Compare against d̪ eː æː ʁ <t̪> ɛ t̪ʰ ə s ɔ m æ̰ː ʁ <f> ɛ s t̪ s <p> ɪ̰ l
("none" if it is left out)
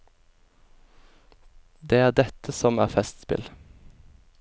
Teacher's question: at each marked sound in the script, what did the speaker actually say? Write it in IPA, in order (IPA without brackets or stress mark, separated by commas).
d̪, f, p